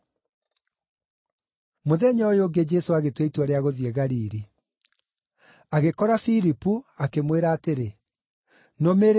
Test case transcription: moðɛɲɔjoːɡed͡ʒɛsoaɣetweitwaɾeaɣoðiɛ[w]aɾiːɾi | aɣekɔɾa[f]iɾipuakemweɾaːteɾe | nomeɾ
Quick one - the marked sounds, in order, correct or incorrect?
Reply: incorrect: ɣ, correct

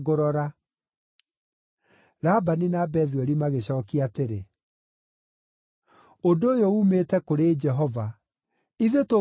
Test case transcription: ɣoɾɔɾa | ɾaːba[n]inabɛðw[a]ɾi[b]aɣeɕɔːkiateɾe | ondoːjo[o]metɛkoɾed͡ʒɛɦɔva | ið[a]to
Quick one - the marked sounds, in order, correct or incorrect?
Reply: correct, incorrect: ɛ, incorrect: m, incorrect: u, incorrect: e

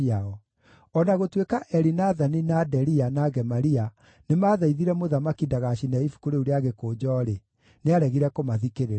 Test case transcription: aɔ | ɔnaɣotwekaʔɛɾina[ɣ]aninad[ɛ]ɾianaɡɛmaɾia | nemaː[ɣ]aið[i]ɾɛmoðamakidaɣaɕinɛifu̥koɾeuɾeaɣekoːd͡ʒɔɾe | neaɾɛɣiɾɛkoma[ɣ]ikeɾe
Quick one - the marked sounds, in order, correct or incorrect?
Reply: incorrect: ð, correct, incorrect: ð, correct, incorrect: ð

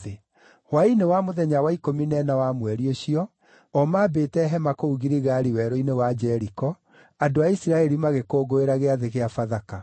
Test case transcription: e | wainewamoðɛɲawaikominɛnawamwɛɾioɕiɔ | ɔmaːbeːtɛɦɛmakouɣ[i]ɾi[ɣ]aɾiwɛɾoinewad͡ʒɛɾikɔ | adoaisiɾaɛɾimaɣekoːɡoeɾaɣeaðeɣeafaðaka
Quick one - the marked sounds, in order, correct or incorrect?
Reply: correct, correct

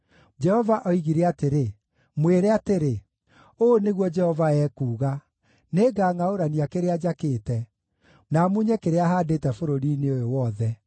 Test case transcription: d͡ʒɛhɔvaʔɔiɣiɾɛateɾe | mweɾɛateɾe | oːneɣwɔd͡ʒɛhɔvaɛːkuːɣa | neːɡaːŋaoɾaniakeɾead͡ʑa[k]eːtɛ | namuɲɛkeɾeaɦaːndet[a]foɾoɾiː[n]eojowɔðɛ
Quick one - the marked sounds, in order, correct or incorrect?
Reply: correct, incorrect: ɛ, correct

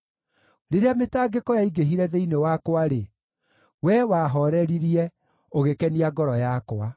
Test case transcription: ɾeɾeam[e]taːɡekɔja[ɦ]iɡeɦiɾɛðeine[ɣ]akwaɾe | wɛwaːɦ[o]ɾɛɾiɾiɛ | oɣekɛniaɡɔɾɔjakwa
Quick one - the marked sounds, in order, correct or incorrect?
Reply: correct, incorrect: none, incorrect: w, incorrect: ɔ

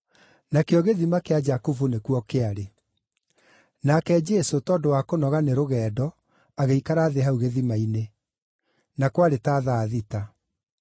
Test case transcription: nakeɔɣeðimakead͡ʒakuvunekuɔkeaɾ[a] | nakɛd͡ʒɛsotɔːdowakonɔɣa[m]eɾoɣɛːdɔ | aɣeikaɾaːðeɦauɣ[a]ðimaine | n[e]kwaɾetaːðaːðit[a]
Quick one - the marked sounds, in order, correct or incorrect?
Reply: incorrect: e, incorrect: n, incorrect: e, incorrect: a, correct

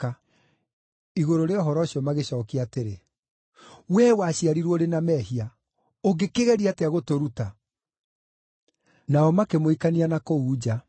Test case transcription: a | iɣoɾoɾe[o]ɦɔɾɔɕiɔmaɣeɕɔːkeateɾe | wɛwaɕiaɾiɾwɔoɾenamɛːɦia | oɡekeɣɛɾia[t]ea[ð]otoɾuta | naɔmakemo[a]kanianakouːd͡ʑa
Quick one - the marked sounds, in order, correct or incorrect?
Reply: incorrect: ɔ, correct, incorrect: ɣ, incorrect: i

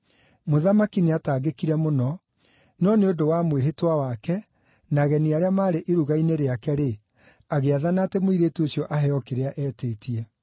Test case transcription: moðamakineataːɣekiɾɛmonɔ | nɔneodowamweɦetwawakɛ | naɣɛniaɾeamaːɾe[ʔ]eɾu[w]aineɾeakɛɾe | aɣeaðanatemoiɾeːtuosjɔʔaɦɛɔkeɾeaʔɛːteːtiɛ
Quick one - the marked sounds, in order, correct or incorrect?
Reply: correct, incorrect: ɣ

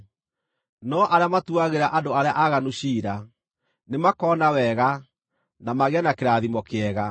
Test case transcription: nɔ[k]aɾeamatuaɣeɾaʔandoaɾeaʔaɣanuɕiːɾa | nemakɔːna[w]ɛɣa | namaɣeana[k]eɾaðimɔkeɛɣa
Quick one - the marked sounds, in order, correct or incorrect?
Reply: incorrect: ʔ, correct, correct

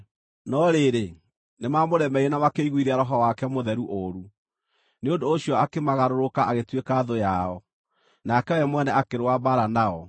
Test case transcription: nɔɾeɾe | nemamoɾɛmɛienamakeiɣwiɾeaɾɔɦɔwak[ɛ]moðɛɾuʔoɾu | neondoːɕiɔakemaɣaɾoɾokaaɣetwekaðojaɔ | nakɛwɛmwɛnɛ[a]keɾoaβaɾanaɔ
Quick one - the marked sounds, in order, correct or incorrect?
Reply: correct, correct

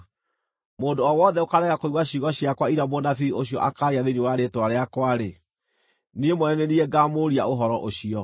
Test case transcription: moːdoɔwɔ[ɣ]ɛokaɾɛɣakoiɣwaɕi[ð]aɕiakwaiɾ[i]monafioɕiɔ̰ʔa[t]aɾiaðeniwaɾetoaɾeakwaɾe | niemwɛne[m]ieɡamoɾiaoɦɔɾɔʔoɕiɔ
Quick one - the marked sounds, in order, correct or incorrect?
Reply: incorrect: ð, incorrect: ɣ, incorrect: a, incorrect: k, incorrect: n

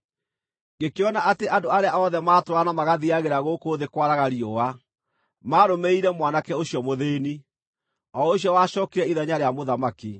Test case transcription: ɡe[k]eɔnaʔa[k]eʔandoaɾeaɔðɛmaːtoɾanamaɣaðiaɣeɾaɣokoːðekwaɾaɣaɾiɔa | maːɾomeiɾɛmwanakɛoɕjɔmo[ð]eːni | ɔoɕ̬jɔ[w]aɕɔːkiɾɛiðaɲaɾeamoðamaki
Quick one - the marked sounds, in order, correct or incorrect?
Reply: correct, incorrect: t, correct, correct

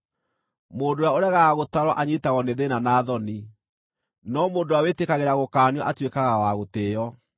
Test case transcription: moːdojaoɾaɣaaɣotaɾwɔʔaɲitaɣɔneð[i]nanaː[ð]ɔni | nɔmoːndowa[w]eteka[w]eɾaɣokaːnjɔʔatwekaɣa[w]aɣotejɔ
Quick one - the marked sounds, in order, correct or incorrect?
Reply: incorrect: e, correct, correct, incorrect: ɣ, correct

